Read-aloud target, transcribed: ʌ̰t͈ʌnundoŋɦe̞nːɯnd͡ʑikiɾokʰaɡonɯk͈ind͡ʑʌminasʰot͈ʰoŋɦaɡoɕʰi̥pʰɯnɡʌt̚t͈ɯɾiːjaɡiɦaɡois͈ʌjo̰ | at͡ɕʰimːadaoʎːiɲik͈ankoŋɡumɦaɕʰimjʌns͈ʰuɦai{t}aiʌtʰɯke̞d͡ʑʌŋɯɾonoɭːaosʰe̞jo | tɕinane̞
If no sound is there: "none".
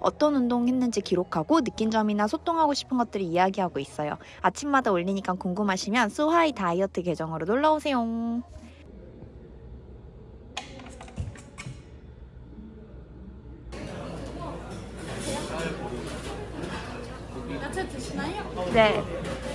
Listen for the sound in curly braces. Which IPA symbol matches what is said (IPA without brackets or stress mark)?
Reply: t